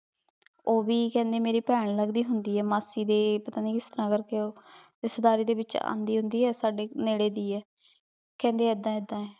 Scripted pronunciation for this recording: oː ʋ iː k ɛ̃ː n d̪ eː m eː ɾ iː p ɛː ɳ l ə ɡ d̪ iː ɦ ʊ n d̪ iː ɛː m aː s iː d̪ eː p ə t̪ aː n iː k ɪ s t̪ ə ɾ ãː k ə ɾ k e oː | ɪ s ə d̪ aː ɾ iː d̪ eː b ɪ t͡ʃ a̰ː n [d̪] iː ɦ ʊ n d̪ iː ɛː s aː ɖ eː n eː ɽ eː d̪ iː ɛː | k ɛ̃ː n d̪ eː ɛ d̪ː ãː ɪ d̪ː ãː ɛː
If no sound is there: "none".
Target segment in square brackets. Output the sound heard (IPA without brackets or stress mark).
d̪